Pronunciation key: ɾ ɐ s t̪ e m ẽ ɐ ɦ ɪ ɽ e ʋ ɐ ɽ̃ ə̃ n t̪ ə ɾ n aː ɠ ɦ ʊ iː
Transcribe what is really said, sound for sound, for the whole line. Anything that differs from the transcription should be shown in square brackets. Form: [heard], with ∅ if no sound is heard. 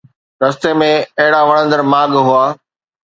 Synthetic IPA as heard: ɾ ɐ s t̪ e m ẽ ɐ ɦ ɪ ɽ [a] ʋ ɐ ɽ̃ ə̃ n [d̪] ə ɾ [m] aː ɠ ɦ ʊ [aː]